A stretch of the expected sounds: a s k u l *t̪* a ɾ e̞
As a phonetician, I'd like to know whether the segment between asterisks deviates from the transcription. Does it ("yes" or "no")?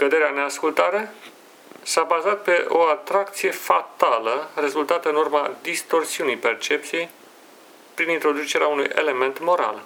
no